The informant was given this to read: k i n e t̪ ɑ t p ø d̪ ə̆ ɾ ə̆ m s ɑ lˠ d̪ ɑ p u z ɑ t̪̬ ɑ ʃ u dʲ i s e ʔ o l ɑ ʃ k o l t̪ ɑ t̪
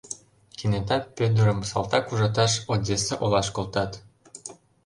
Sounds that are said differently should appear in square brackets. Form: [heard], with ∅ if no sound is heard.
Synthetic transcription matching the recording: k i n e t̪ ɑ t p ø d̪ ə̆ ɾ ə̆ m s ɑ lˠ [t̪] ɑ [k] u [ʒ] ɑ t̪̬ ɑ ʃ [o] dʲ [e] s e ʔ o l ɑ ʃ k o l t̪ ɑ t̪